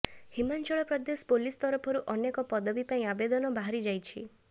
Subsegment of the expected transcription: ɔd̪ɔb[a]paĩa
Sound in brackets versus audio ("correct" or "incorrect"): incorrect